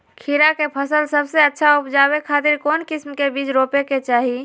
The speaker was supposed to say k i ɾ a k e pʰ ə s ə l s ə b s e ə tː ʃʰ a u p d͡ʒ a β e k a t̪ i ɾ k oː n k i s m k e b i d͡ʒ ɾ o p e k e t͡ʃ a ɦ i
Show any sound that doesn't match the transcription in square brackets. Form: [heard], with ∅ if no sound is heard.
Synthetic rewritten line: [kʰ] i ɾ a k e pʰ ə s ə l s ə b s e ə tː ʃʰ a u p d͡ʒ a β e [kʰ] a t̪ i ɾ k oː n k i s m k e b i d͡ʒ ɾ o p e k e t͡ʃ a ɦ i